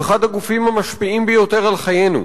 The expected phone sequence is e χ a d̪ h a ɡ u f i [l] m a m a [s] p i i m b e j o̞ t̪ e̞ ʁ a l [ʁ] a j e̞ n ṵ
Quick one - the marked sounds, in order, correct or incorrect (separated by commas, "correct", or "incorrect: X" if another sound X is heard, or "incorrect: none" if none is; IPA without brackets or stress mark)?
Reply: incorrect: none, incorrect: ʃ, incorrect: χ